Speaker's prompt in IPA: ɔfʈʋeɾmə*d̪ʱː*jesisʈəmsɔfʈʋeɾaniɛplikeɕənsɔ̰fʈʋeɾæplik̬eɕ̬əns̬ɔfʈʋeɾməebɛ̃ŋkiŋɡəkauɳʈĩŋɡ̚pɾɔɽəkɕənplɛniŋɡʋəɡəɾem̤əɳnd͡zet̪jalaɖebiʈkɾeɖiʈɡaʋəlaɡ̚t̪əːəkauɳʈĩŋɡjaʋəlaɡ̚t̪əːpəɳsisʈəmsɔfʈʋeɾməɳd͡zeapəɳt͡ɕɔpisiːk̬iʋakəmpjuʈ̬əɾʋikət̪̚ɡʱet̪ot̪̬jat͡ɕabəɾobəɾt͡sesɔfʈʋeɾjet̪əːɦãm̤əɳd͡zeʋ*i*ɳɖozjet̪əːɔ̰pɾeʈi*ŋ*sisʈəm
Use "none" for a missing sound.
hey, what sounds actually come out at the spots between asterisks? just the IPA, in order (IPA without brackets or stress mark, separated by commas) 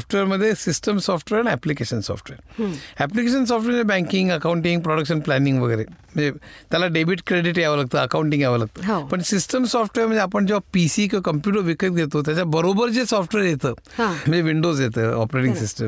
d̪ʱː, i, ŋ